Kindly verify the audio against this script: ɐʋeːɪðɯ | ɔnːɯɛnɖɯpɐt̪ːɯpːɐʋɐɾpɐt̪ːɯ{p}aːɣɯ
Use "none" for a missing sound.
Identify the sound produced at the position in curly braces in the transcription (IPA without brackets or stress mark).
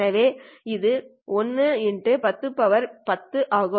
ʔ